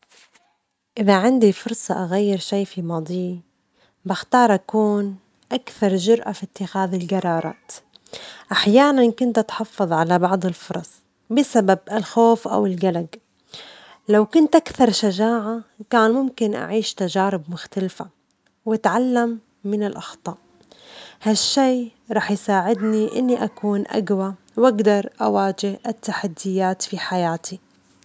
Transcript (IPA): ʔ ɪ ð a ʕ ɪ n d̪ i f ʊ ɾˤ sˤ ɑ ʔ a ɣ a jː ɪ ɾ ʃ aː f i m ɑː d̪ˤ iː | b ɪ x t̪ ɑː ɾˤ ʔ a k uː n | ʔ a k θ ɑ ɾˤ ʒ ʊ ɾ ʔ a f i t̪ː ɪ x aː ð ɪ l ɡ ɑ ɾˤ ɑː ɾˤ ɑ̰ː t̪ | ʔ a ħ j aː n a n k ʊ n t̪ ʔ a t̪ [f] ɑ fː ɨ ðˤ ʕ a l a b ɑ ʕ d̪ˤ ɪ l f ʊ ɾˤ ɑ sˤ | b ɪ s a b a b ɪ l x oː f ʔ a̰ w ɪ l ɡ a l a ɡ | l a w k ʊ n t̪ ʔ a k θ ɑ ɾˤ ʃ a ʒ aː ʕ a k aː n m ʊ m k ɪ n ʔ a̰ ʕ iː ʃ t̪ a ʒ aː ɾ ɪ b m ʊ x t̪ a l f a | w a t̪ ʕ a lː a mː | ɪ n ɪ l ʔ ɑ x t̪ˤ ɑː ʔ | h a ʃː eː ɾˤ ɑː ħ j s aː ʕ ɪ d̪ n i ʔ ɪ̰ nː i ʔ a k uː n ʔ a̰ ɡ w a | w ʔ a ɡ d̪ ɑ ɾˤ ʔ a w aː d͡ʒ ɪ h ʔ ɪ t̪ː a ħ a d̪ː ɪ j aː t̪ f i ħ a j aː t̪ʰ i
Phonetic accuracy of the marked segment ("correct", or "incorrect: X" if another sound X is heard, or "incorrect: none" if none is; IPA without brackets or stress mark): incorrect: ħ